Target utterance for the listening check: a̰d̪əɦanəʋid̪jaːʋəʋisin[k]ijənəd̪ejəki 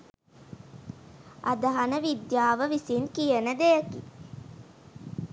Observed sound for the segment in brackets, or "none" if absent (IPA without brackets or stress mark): k